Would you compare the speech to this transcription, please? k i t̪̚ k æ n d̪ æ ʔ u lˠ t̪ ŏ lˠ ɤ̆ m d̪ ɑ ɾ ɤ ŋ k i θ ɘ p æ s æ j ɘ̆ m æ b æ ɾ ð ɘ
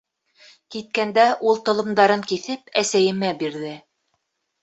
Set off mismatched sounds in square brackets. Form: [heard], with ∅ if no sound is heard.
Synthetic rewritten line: k i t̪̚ k æ n d̪ æ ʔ u lˠ t̪ ŏ lˠ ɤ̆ m d̪ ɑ ɾ ɤ ŋ k i θ ɘ p æ s æ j ɘ̆ m æ b [i] ɾ ð ɘ